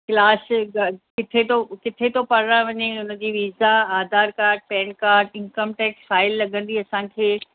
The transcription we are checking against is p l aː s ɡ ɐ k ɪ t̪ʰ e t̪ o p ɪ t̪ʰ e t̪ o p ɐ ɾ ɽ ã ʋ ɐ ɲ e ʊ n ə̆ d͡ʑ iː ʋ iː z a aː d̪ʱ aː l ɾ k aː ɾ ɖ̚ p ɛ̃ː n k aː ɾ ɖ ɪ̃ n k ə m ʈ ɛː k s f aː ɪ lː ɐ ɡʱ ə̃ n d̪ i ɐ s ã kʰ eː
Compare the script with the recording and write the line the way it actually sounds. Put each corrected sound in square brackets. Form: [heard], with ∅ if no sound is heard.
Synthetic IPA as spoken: [k] l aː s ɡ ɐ k ɪ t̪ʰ e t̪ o [k] ɪ t̪ʰ e t̪ o p ɐ ɾ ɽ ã ʋ ɐ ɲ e ʊ n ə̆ d͡ʑ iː ʋ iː z a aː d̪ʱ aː [∅] ɾ k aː ɾ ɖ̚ p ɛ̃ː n k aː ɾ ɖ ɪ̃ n k ə m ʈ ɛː k s f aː ɪ lː ɐ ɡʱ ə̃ n d̪ i ɐ s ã kʰ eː